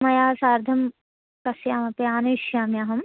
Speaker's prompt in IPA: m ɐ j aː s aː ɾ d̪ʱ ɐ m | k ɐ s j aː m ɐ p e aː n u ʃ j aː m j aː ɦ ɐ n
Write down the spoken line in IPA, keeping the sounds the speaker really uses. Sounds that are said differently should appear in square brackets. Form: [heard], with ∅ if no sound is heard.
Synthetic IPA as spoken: m ɐ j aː s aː ɾ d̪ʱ ɐ m | k ɐ s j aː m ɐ p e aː n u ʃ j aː m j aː ɦ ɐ [m]

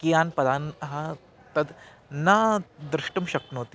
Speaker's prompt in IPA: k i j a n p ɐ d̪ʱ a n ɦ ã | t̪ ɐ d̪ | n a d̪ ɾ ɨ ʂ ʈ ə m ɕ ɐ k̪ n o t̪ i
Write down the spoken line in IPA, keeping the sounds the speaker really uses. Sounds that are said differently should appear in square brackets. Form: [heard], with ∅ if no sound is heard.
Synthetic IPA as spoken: k i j a n p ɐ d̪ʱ a n ɦ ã | t̪ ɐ d̪ | n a d̪ ɾ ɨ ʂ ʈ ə m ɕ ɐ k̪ n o t̪ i

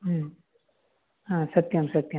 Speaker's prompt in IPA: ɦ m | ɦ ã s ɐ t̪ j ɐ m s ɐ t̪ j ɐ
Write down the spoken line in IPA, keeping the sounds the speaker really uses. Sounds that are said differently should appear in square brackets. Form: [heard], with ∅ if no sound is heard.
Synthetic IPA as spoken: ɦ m | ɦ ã s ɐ t̪ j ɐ m s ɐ t̪ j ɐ

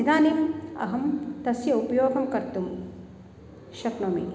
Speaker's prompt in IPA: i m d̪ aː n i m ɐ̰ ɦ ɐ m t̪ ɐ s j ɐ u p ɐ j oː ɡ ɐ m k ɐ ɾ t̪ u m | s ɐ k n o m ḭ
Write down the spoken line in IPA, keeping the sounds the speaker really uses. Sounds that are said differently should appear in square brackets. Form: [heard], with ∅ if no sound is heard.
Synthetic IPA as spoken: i [∅] d̪ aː n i m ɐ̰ ɦ ɐ m t̪ ɐ s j ɐ u p ɐ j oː ɡ ɐ m k ɐ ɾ t̪ u m | [ʃ] ɐ k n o m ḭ

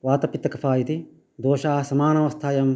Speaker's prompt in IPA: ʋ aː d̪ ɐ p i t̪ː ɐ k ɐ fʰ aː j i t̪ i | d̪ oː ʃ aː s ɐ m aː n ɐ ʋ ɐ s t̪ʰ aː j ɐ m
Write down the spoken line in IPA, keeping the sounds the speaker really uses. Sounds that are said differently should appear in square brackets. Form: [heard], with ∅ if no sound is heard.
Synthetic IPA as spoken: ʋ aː [t̪] ɐ p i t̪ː ɐ k ɐ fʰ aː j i t̪ i | d̪ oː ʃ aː s ɐ m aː n ɐ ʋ ɐ s t̪ʰ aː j ɐ m

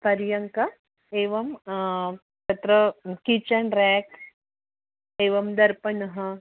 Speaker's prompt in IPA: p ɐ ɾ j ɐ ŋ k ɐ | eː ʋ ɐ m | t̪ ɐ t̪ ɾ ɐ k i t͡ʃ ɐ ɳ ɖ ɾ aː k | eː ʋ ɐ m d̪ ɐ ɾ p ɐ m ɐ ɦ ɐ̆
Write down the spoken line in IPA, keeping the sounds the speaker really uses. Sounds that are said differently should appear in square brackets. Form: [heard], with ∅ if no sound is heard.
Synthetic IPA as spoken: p ɐ ɾ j ɐ ŋ k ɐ | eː ʋ ɐ m | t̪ ɐ t̪ ɾ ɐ k i t͡ʃ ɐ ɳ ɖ ɾ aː k | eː ʋ ɐ m d̪ ɐ ɾ p ɐ [n] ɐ ɦ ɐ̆

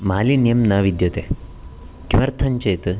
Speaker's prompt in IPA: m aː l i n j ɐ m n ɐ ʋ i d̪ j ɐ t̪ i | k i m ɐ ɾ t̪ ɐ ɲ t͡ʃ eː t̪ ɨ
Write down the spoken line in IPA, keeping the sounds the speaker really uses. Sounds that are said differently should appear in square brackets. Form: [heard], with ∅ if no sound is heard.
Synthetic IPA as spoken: m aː l i n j ɐ m n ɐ ʋ i d̪ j ɐ t̪ [e] | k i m ɐ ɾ [t̪ʰ] ɐ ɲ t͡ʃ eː t̪ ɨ

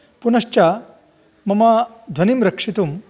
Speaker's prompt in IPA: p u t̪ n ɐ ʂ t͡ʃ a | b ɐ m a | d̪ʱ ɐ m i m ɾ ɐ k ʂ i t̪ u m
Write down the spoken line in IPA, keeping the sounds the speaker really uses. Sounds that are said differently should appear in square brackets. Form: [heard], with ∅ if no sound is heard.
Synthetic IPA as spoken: p u [∅] n ɐ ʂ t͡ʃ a | [m] ɐ m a | d̪ʱ ɐ [n] i m ɾ ɐ k ʂ i t̪ u m

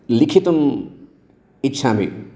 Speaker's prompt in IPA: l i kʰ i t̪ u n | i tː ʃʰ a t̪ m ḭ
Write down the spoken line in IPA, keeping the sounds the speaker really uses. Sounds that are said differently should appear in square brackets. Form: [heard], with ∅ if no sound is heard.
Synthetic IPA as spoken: l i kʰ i t̪ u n | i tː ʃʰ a [∅] m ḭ

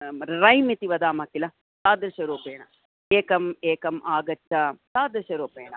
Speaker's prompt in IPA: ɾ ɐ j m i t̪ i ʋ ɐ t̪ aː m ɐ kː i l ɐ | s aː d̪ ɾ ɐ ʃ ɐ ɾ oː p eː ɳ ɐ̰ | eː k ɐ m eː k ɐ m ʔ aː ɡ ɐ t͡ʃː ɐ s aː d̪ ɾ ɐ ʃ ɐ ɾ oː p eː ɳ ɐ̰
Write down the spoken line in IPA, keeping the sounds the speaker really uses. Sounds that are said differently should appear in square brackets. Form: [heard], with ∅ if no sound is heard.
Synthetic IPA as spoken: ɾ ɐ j m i t̪ i ʋ ɐ [d̪] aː m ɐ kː i l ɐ | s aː d̪ ɾ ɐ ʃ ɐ ɾ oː p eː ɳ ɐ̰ | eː k ɐ m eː k ɐ m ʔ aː ɡ ɐ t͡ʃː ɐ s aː d̪ ɾ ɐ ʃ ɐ ɾ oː p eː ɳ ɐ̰

